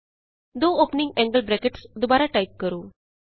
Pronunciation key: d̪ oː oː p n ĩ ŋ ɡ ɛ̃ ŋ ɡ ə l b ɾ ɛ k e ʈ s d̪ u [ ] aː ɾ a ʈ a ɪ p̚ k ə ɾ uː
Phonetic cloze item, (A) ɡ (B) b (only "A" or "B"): B